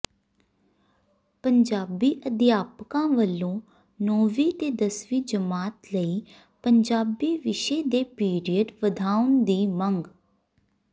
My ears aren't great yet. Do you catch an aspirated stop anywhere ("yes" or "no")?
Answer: no